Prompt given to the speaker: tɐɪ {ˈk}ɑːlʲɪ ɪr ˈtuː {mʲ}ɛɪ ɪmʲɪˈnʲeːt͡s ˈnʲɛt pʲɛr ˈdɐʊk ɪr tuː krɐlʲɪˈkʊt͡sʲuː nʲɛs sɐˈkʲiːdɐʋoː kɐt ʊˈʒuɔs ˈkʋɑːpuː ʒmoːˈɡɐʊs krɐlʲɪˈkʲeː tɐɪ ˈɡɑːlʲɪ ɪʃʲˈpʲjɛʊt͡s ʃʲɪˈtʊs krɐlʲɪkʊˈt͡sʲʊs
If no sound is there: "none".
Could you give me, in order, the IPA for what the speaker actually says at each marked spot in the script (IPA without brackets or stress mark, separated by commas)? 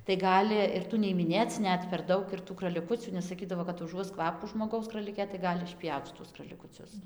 ɡ, nʲ